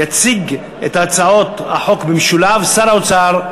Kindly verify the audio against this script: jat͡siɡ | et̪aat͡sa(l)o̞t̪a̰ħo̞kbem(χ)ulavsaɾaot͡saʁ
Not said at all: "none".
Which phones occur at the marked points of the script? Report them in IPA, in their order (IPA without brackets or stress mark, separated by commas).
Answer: none, ʃ